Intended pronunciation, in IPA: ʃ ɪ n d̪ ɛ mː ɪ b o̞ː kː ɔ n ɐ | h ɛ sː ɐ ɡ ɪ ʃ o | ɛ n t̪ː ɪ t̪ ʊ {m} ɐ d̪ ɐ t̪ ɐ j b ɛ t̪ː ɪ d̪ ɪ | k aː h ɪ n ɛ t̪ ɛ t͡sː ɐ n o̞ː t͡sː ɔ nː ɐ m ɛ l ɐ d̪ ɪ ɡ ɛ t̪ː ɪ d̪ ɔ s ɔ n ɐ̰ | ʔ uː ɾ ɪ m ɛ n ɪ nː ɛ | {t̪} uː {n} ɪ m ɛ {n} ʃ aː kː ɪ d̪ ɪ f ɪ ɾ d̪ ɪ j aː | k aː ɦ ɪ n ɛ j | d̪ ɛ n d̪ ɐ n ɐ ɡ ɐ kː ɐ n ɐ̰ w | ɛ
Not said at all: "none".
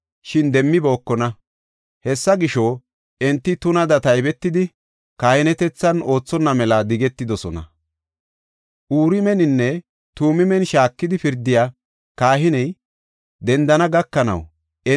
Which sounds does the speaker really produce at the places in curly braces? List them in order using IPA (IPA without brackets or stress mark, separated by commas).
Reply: n, t̪, m, n